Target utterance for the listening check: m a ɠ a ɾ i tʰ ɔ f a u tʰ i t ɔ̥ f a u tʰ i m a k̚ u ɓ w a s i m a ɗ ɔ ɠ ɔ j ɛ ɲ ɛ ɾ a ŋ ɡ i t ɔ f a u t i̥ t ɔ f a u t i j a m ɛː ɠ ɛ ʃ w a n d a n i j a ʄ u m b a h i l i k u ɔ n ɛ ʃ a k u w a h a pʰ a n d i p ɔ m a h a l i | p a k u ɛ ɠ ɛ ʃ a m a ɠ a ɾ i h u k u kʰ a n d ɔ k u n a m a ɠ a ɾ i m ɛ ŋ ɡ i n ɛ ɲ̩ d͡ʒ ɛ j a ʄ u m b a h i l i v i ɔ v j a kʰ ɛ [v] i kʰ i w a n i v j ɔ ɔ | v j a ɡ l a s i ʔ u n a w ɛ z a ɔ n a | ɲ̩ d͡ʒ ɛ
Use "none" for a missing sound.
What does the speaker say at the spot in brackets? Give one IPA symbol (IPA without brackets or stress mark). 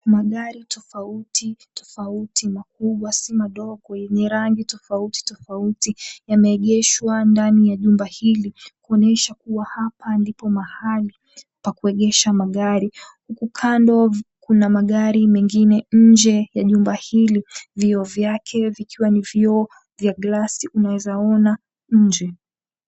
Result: v